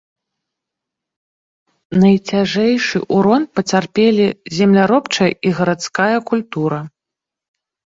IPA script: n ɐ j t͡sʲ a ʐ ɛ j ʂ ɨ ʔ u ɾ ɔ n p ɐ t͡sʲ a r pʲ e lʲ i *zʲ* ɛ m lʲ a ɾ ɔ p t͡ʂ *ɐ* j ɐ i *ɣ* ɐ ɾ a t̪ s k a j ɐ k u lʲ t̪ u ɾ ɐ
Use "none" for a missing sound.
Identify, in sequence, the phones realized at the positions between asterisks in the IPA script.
zʲ, ɐ, ɣ

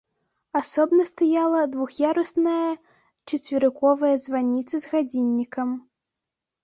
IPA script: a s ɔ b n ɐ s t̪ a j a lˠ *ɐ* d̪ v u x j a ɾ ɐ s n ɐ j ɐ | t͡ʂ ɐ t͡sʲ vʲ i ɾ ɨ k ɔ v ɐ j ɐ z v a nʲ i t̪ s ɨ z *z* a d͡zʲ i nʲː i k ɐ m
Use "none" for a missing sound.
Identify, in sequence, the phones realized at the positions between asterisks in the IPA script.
ɐ, ɣ

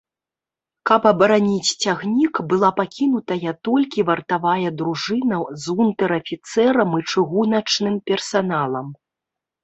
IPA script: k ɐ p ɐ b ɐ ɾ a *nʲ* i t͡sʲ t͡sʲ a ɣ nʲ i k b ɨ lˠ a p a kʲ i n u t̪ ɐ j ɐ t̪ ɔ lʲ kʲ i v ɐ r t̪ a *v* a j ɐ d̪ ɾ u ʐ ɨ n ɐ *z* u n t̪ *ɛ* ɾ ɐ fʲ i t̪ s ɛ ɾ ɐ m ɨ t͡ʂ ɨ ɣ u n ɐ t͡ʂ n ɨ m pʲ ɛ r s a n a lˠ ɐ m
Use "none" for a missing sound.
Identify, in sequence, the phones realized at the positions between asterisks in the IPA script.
nʲ, v, z, ɛ

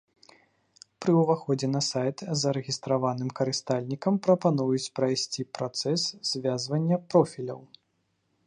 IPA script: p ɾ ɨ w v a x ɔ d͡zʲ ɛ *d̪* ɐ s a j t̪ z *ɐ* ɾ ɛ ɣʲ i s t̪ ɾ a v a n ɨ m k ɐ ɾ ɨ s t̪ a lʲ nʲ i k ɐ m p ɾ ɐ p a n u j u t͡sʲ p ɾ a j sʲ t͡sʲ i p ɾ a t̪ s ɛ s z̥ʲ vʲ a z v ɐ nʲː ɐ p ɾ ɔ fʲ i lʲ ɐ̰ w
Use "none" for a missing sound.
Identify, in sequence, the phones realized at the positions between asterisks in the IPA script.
n̪, ɐ

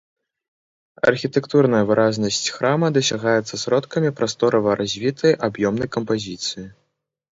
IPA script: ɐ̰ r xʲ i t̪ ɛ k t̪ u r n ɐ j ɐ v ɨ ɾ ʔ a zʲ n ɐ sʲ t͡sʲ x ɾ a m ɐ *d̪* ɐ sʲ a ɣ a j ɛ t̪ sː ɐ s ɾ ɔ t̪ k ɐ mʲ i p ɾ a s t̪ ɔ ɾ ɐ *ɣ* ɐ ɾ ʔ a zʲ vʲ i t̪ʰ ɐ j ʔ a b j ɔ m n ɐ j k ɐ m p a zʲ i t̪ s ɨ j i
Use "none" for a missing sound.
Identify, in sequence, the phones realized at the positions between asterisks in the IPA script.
d̪, v

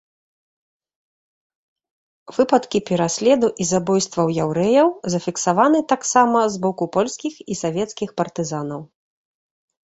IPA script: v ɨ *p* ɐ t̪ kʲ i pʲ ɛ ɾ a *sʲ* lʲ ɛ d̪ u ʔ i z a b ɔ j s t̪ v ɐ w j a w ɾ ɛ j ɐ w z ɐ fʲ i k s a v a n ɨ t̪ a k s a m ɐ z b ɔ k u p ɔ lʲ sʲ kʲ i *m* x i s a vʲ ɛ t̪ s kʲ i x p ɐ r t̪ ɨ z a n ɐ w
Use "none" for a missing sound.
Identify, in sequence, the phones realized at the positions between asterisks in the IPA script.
p, sʲ, none

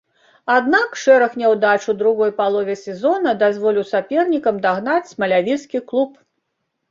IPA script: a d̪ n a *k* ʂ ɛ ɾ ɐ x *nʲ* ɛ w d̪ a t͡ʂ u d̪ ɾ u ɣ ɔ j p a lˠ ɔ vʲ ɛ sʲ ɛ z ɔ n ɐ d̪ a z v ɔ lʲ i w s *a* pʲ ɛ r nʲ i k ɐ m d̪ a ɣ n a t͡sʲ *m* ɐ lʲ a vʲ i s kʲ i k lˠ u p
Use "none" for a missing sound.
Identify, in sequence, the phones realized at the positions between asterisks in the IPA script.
k, nʲ, a, m

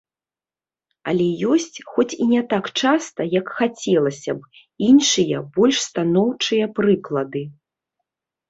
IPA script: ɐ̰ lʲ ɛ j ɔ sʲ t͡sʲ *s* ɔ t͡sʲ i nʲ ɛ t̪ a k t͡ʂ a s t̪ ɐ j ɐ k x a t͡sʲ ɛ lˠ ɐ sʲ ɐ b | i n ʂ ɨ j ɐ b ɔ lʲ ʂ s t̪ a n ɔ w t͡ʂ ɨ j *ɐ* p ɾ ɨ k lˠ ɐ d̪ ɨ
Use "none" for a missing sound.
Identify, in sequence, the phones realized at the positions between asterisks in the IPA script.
x, ɐ

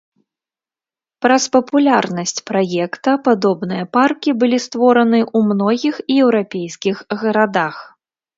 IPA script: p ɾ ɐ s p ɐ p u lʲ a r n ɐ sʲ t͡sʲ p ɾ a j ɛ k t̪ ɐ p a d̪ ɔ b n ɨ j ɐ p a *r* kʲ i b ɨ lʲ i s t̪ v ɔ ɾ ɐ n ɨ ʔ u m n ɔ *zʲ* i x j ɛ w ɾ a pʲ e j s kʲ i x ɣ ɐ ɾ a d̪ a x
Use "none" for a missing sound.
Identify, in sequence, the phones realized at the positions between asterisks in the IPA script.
r, ɣʲ

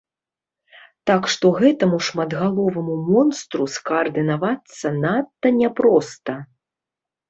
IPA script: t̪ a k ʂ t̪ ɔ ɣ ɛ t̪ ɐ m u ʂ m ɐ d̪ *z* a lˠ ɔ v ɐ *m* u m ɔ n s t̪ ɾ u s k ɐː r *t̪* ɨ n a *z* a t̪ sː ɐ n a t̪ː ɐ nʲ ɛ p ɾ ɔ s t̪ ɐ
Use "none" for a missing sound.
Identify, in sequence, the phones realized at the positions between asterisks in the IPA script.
ɣ, m, d̪, v

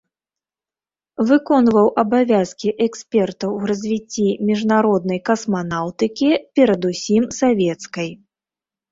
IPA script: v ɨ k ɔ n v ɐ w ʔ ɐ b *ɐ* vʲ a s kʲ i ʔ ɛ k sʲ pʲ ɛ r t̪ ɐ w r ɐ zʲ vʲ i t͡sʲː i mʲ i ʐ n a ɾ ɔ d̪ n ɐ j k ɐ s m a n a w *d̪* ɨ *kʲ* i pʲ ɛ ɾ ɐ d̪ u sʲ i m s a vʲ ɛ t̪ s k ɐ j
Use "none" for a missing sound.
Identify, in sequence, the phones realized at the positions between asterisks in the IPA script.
a, t̪, kʲ

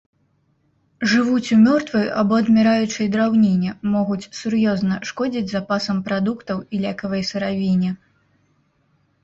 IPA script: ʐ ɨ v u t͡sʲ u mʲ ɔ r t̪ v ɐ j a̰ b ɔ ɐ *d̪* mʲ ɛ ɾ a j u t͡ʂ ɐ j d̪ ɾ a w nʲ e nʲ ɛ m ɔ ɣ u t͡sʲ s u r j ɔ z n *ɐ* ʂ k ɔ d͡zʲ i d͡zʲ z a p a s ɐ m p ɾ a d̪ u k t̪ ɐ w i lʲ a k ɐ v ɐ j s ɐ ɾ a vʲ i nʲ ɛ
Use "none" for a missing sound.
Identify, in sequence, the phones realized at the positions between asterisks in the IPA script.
d̪, ɐ

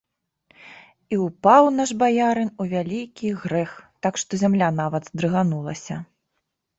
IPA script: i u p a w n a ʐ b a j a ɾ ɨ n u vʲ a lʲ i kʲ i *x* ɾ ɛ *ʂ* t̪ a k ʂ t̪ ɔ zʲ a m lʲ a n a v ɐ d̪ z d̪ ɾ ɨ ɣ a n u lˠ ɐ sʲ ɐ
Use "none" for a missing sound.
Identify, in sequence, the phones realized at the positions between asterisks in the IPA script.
ɣ, x

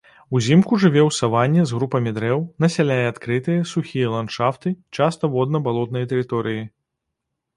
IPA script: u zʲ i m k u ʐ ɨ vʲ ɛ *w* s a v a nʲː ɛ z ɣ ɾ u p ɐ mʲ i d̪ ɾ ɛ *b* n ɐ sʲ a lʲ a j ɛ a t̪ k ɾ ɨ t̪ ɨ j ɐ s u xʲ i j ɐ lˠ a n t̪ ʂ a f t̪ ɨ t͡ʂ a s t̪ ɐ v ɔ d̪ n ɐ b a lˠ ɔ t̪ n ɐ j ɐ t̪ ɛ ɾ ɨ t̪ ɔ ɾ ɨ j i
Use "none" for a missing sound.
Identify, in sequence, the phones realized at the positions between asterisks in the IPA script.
w, w

